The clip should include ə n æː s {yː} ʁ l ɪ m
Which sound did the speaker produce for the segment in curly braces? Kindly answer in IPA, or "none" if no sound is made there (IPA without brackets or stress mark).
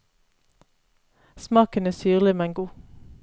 yː